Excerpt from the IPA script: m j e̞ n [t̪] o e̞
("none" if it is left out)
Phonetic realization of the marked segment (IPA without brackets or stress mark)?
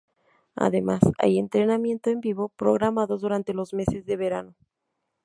t̪